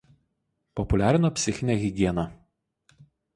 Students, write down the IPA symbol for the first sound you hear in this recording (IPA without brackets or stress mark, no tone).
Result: p